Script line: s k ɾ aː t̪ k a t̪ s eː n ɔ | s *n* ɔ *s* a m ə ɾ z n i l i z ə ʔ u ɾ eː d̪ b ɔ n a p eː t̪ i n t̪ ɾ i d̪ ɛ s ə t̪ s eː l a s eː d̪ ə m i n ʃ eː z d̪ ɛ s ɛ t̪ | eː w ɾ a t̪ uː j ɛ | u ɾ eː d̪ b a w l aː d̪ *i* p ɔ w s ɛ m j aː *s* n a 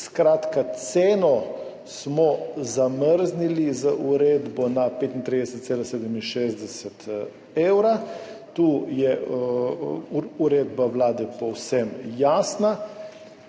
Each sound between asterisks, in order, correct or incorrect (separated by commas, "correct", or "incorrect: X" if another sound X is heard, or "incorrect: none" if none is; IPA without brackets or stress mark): incorrect: m, incorrect: z, incorrect: ɛ, correct